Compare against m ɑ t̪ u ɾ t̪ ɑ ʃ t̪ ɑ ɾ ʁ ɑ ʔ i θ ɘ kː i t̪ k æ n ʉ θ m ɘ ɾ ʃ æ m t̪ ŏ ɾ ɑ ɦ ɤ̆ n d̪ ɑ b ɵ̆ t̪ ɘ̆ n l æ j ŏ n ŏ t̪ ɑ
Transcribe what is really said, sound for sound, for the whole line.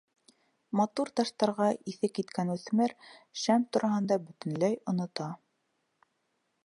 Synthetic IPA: m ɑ t̪ u ɾ t̪ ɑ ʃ t̪ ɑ ɾ ʁ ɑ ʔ i θ ɘ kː i t̪ k æ n ʉ θ m ɘ ɾ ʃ æ m t̪ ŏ ɾ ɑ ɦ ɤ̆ n d̪ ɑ b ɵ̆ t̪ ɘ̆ n l æ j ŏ n ŏ t̪ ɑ